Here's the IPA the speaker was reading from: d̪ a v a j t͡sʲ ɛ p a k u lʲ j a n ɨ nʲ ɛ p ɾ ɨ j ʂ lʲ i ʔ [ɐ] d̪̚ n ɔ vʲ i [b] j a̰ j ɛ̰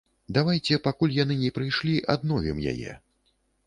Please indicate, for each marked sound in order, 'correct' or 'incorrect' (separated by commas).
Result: incorrect, incorrect